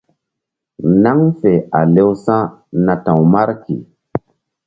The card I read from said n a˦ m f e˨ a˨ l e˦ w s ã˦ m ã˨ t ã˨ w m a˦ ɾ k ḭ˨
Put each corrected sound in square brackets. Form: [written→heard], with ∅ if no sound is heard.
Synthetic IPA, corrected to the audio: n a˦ [m→ŋ] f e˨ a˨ l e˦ w s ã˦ [m→n] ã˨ t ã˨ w m a˦ ɾ k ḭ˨